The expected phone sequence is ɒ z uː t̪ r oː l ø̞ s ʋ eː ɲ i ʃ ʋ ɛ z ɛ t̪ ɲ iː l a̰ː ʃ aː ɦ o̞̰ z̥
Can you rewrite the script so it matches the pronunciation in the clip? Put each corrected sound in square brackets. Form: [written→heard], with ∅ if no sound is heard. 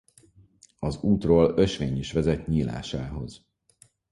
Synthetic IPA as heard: ɒ z uː t̪ r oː l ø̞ [s→ʃ] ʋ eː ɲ i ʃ ʋ ɛ z ɛ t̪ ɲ iː l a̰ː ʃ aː ɦ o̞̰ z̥

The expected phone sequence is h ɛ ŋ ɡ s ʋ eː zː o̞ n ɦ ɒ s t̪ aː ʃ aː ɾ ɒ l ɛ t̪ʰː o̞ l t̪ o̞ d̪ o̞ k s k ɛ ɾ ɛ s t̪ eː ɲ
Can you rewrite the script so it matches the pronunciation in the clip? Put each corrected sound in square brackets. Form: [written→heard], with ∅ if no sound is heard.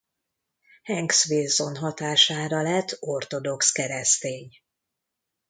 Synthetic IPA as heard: h ɛ ŋ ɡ s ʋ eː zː o̞ n ɦ ɒ [s→∅] t̪ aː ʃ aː ɾ ɒ l ɛ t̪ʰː o̞ [l→r] t̪ o̞ d̪ o̞ k s k ɛ ɾ ɛ s t̪ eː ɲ

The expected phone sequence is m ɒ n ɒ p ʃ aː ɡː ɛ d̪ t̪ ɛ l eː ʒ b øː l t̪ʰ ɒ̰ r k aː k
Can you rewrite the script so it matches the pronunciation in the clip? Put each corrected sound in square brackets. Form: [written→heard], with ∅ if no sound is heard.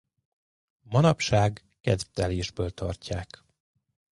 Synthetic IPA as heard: m ɒ n ɒ p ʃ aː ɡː ɛ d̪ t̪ ɛ l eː ʒ b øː l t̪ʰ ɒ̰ r [k→c] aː k

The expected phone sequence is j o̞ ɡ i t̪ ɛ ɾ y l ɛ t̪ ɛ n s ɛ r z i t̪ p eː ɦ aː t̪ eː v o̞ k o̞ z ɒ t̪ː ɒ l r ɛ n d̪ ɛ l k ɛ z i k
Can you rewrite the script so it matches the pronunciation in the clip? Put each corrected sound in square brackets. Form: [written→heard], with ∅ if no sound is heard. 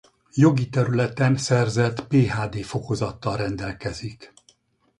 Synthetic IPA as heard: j o̞ ɡ i t̪ ɛ ɾ y l ɛ t̪ ɛ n s ɛ r z [i→ɛ] t̪ p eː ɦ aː [t̪→d̪] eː [v→f] o̞ k o̞ z ɒ t̪ː ɒ l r ɛ n d̪ ɛ l k ɛ z i k

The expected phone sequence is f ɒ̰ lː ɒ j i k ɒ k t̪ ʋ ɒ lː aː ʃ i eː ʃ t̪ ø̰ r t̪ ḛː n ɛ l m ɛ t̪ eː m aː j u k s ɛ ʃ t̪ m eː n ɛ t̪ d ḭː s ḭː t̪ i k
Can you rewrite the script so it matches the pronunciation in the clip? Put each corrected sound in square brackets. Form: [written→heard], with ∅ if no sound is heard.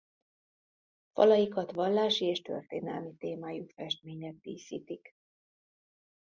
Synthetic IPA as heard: f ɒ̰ [lː→l] ɒ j i k ɒ [k→∅] t̪ ʋ ɒ lː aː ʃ i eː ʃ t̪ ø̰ r t̪ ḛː n ɛ l m [ɛ→i] t̪ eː m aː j u k [s→f] ɛ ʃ t̪ m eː [n→ɲ] ɛ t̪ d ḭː s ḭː t̪ i k

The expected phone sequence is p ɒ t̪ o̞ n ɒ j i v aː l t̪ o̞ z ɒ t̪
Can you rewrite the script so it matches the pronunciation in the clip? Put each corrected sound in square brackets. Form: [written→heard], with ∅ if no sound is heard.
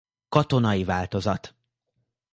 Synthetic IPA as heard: [p→k] ɒ t̪ o̞ n ɒ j i v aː l t̪ o̞ z ɒ t̪

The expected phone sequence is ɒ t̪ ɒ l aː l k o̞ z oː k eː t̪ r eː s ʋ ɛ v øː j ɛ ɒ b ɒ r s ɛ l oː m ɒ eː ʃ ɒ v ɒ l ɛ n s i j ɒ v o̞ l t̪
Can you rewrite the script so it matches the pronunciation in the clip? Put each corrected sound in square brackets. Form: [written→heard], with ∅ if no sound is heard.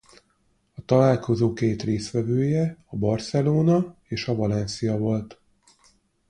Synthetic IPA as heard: ɒ t̪ ɒ l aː l k o̞ z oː k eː t̪ r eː s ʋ ɛ v øː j ɛ ɒ b ɒ r s ɛ l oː [m→n] ɒ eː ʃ ɒ v ɒ l ɛ n s i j ɒ v o̞ l t̪

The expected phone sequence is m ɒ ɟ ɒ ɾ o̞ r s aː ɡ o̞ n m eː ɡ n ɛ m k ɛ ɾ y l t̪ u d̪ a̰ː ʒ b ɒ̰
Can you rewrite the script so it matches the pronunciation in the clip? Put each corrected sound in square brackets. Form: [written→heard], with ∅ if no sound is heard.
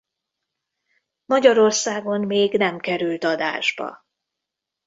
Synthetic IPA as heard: m ɒ ɟ ɒ ɾ o̞ r s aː ɡ o̞ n m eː ɡ n ɛ m k ɛ ɾ y l t̪ [u→ɒ] d̪ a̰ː ʒ b ɒ̰

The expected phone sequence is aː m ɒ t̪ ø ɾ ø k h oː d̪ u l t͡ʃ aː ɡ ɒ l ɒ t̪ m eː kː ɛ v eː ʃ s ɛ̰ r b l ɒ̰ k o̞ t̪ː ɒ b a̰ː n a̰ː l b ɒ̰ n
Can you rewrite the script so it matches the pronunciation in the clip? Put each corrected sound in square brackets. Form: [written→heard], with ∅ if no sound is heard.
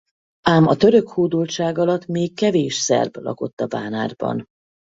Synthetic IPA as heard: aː m ɒ t̪ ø ɾ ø k h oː d̪ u l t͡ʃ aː ɡ ɒ l ɒ t̪ m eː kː ɛ v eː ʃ s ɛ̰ r b l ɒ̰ k o̞ t̪ː ɒ b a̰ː n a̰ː [l→r] b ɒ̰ n

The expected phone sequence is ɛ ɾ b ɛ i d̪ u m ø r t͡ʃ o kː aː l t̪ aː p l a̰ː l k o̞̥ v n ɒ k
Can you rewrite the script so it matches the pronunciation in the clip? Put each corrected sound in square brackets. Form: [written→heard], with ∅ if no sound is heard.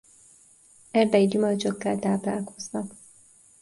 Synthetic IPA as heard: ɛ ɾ b ɛ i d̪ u m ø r t͡ʃ o kː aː l t̪ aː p l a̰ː l k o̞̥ [v→z] n ɒ k

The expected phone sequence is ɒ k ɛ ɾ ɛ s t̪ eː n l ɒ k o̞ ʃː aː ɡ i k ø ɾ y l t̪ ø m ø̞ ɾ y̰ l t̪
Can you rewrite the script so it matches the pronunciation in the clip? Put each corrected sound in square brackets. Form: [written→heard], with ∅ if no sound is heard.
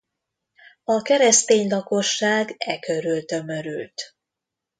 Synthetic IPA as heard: ɒ k ɛ ɾ ɛ s t̪ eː [n→ɲ] l ɒ k o̞ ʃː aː ɡ [i→ɛ] k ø ɾ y l t̪ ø m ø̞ ɾ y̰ l t̪

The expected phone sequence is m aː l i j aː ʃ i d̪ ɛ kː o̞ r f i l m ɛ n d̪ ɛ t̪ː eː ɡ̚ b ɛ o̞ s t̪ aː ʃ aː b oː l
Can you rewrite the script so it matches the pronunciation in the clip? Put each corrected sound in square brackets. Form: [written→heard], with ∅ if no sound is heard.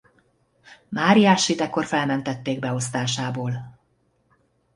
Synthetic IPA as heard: m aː [l→ɾ] i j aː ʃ i [d̪→t̪] ɛ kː o̞ r f [i→ɛ] l m ɛ n [d̪→t̪] ɛ t̪ː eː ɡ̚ b ɛ o̞ s t̪ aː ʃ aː b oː l

